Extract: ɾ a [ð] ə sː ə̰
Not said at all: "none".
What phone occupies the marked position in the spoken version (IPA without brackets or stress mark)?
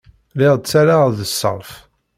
ð